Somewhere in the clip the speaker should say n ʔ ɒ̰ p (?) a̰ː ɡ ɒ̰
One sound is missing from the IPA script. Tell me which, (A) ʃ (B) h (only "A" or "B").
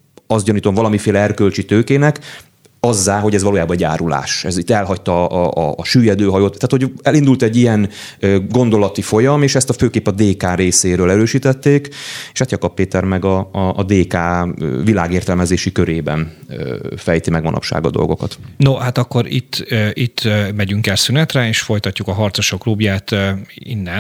A